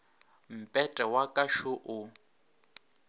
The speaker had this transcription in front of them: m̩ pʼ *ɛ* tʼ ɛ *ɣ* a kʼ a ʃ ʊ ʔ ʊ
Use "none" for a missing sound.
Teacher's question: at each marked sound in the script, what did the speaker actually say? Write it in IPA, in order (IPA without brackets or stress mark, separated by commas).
ɛ, w